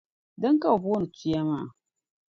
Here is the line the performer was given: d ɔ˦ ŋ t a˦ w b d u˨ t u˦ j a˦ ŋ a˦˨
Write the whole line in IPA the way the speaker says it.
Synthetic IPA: d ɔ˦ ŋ k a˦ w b n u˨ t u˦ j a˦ m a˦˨